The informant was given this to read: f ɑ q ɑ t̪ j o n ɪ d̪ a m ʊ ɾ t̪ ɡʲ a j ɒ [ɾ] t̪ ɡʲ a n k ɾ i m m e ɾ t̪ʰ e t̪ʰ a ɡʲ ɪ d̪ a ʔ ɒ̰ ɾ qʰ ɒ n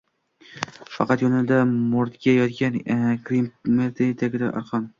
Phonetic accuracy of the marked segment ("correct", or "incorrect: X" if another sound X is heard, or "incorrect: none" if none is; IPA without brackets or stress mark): incorrect: none